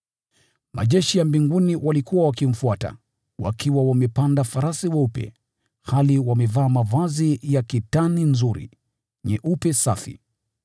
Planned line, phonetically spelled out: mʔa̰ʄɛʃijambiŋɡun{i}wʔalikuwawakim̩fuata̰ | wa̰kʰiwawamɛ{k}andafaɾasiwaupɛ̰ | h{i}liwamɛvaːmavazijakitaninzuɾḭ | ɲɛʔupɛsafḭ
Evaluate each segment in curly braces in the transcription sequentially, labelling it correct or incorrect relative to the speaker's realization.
correct, incorrect, incorrect

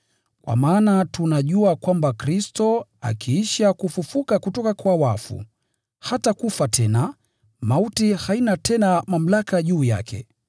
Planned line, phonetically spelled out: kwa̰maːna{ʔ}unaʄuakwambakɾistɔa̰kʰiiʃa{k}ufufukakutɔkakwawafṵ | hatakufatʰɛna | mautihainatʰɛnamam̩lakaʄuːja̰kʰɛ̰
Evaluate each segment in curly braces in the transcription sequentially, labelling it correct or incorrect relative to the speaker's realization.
incorrect, correct

